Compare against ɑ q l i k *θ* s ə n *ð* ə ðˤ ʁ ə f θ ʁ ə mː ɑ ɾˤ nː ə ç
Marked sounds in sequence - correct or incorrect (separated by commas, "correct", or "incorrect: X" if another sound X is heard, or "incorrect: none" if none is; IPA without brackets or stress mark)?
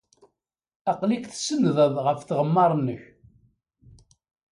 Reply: correct, correct